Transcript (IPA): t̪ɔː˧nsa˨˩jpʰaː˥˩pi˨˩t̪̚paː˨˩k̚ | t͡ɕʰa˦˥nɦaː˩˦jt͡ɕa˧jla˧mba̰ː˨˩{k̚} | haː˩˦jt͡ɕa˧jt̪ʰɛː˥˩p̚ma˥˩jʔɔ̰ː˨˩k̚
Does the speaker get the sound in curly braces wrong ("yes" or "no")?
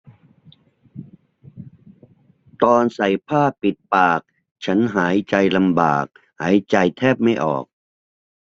no